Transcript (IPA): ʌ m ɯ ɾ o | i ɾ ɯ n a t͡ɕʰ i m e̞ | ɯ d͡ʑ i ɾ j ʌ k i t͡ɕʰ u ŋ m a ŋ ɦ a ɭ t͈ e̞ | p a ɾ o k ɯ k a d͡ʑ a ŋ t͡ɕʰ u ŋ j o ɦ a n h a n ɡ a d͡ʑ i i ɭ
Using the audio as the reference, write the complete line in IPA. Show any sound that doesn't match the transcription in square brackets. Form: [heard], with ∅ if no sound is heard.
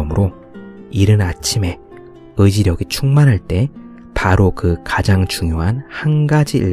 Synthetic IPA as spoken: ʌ m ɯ ɾ o | i ɾ ɯ n a t͡ɕʰ i m e̞ | ɯ d͡ʑ i ɾ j ʌ [ɡ] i t͡ɕʰ u ŋ m a [n] ɦ a ɭ t͈ e̞ | p a ɾ o k ɯ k a d͡ʑ a ŋ [t͡ɕ] u ŋ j o ɦ a n h a n ɡ a d͡ʑ i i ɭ